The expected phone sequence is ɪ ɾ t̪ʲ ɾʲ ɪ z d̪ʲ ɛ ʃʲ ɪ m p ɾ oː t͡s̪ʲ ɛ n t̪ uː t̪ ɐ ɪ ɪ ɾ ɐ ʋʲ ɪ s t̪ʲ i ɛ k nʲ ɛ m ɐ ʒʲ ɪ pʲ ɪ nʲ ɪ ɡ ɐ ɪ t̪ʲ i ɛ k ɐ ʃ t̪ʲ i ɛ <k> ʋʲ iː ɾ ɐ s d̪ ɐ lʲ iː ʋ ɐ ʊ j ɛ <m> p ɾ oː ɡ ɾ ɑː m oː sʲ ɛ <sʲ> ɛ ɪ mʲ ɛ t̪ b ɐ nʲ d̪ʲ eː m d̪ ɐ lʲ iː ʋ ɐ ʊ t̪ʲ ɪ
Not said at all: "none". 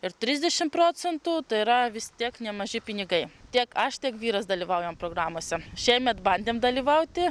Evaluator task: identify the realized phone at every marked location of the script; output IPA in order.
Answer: k, m, ʃʲ

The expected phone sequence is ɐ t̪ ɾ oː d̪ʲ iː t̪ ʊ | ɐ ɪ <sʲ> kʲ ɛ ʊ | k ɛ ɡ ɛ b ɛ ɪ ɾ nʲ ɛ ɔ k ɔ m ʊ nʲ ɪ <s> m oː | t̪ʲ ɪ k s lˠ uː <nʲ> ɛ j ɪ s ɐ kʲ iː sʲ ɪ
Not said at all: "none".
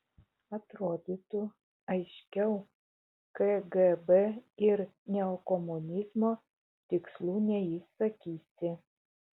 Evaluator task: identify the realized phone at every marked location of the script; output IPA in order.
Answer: ʃʲ, z, nʲ

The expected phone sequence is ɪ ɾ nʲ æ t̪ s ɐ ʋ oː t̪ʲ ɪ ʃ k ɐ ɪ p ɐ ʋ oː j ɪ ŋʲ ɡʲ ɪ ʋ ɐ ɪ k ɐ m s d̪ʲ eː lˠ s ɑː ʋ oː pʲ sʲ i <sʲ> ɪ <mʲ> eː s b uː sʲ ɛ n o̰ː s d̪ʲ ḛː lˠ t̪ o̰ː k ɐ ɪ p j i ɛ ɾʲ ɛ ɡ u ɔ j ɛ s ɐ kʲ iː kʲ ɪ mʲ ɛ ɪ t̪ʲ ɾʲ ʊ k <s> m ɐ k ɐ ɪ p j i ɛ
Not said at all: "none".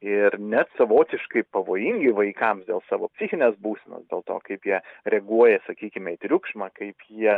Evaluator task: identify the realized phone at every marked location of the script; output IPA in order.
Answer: xʲ, nʲ, ʃ

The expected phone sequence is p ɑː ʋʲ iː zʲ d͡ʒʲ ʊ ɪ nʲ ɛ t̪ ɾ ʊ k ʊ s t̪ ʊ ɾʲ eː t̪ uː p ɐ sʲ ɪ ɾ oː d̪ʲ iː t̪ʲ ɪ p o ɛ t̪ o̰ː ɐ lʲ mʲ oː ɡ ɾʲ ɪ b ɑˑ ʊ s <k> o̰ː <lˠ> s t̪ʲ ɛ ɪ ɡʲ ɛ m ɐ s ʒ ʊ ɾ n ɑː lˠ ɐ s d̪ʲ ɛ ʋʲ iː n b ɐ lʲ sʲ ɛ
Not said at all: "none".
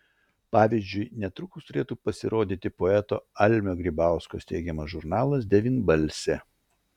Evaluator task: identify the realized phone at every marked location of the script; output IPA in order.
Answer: k, none

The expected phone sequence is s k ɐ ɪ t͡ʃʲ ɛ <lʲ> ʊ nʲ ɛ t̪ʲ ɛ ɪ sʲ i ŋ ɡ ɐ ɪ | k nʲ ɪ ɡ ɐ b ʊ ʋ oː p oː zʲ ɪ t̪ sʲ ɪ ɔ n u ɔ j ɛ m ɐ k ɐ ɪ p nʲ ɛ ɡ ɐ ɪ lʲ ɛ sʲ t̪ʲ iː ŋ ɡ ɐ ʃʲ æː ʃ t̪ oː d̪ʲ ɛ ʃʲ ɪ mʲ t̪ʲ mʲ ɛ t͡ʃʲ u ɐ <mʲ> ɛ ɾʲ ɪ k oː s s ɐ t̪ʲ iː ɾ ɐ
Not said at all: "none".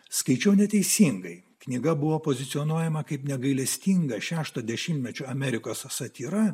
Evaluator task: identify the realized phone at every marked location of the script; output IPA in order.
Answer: none, mʲ

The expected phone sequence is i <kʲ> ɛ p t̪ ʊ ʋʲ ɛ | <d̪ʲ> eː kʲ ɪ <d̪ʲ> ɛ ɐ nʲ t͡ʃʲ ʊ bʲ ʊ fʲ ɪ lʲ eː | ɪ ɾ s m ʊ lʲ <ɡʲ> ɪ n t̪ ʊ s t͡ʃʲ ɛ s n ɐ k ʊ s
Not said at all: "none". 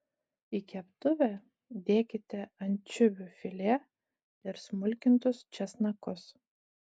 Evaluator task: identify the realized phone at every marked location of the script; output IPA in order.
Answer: kʲ, d̪ʲ, t̪ʲ, kʲ

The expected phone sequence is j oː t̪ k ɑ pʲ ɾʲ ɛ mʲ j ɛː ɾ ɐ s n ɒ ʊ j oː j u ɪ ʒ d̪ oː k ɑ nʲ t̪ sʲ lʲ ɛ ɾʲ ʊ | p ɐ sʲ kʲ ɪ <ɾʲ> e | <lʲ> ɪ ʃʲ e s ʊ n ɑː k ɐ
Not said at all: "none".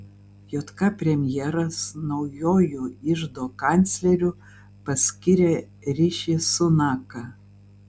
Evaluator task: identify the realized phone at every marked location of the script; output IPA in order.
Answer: ɾʲ, ɾʲ

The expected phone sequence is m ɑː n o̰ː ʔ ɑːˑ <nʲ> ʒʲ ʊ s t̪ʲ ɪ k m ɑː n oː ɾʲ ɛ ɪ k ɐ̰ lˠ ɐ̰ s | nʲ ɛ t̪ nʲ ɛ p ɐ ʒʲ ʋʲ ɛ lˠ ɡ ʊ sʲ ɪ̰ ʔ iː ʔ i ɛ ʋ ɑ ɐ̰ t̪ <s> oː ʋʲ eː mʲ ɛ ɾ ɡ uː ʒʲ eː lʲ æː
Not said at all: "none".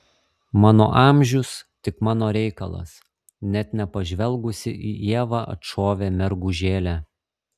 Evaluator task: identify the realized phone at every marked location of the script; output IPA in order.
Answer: mʲ, ʃ

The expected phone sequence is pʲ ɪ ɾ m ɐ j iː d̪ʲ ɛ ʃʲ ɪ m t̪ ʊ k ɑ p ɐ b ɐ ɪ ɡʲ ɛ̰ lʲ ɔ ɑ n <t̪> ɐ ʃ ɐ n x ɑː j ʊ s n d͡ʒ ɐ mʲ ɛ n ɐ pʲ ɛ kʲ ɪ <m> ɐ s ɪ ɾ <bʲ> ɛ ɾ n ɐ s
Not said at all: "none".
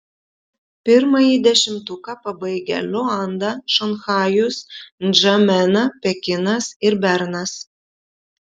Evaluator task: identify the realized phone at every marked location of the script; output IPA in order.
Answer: d̪, n, bʲ

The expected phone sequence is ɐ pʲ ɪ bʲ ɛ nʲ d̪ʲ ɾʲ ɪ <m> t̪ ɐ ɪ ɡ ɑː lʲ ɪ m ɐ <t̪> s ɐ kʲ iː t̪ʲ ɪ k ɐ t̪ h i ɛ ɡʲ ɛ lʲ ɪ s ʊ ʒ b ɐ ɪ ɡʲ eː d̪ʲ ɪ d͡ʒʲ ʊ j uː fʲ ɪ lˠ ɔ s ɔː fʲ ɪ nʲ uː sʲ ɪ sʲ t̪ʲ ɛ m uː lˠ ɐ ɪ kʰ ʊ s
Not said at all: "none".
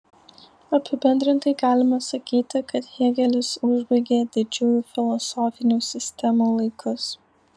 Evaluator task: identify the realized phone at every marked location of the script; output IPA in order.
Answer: n, none

